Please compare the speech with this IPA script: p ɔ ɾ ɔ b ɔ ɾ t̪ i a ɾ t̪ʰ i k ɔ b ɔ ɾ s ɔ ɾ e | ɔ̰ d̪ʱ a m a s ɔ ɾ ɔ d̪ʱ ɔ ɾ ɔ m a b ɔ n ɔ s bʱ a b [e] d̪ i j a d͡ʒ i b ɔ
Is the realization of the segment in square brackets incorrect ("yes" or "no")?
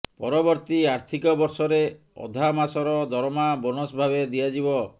no